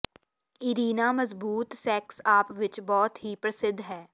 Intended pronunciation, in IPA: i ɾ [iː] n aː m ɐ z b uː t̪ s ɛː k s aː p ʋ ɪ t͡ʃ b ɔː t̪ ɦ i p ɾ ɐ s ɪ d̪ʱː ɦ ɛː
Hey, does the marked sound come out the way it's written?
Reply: yes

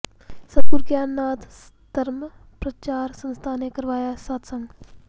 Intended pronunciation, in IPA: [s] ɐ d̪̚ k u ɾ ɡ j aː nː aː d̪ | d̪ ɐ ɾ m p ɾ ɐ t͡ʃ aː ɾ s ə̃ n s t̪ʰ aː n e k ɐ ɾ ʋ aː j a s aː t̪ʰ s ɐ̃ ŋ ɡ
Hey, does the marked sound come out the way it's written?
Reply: yes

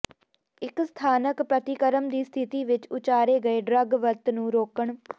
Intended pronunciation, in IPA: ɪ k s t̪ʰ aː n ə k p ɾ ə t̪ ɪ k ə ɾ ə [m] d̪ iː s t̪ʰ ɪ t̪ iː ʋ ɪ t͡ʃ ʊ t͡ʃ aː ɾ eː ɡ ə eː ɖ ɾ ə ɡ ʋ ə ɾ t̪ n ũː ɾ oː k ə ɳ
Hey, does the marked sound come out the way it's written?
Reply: yes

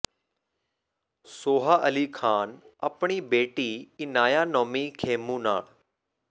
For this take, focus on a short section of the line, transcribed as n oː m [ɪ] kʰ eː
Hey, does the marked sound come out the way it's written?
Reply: no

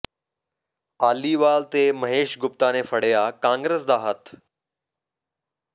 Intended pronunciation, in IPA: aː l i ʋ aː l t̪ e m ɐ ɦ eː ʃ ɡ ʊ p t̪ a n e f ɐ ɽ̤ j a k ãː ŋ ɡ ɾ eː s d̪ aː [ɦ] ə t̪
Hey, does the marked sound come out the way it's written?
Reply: yes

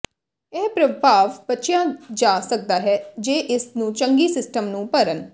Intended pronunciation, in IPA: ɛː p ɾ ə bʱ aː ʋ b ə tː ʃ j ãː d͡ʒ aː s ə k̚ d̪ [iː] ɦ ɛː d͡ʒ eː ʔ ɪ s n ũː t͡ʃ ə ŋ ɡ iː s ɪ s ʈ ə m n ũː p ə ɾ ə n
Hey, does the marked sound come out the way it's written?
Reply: no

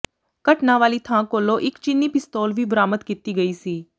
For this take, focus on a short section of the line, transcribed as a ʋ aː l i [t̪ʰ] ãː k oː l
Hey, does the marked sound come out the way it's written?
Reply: yes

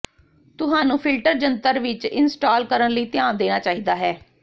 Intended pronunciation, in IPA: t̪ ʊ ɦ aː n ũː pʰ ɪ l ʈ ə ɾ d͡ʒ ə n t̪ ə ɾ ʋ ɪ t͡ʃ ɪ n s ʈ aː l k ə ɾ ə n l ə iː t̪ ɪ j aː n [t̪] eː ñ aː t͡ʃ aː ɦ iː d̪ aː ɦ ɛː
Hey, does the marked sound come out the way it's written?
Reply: no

